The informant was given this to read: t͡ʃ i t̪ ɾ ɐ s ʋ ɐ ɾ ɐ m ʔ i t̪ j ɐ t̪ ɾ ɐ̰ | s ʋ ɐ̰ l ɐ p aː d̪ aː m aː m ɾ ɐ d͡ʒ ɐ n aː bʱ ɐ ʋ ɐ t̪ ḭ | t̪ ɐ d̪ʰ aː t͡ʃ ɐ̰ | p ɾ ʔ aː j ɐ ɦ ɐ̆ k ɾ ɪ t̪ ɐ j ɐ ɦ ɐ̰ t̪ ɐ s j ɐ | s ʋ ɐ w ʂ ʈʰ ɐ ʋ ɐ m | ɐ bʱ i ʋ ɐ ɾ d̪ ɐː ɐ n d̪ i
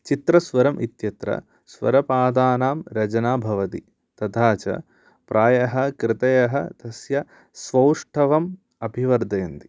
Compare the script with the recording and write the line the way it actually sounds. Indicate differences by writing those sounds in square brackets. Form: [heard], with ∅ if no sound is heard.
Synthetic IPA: t͡ʃ i t̪ ɾ ɐ s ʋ ɐ ɾ ɐ m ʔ i t̪ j ɐ t̪ ɾ ɐ̰ | s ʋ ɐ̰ [ɾ] ɐ p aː d̪ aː [n] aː m ɾ ɐ d͡ʒ ɐ n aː bʱ ɐ ʋ ɐ t̪ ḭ | t̪ ɐ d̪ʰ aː t͡ʃ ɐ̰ | p ɾ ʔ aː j ɐ ɦ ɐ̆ k ɾ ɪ t̪ ɐ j ɐ ɦ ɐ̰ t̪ ɐ s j ɐ | s ʋ ɐ w ʂ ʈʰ ɐ ʋ ɐ m | ɐ bʱ i ʋ ɐ ɾ d̪ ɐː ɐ n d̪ i